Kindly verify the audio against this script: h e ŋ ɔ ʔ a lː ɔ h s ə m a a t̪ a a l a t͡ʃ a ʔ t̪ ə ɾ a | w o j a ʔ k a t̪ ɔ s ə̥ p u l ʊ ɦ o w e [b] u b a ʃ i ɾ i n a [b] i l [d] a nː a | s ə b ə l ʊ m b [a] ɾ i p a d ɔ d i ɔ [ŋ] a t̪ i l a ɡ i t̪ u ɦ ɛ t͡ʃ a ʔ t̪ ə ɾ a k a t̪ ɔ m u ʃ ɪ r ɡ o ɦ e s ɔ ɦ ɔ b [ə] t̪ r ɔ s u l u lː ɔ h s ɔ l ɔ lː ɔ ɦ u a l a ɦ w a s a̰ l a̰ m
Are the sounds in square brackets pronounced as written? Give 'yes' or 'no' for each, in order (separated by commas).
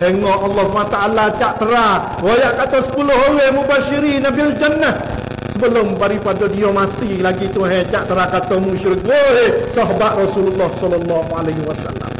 no, yes, no, yes, no, no